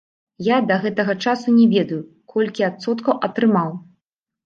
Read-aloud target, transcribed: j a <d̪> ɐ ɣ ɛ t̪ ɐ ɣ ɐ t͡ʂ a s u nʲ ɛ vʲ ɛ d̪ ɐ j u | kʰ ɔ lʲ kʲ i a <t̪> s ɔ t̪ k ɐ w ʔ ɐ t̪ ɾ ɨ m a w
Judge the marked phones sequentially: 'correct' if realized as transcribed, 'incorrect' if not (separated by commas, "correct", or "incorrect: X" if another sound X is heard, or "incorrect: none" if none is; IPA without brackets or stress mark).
correct, correct